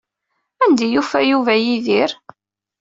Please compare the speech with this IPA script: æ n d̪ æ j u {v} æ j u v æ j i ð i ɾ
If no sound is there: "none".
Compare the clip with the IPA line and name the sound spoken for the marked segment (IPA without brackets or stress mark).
f